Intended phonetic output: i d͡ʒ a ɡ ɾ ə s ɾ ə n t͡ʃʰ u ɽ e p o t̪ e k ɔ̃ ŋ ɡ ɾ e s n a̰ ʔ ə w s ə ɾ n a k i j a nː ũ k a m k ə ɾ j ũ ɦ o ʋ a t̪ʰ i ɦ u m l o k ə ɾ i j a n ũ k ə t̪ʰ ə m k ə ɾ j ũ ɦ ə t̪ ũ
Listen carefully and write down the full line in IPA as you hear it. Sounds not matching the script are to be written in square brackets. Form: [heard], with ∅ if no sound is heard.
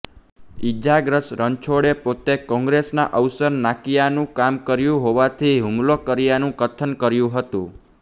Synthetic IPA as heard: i d͡ʒ a ɡ ɾ ə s ɾ ə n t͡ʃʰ [o] ɽ e p o t̪ e k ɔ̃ ŋ ɡ ɾ e s n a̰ ʔ ə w s ə ɾ n a k i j a [n] ũ k a m k ə ɾ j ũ ɦ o ʋ a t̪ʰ i ɦ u m l o k ə ɾ i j a n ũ k ə t̪ʰ ə [n] k ə ɾ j ũ ɦ ə t̪ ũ